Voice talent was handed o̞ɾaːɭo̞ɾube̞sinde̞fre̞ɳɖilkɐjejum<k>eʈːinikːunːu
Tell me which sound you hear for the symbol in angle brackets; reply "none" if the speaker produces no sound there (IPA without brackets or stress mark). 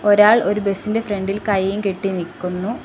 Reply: k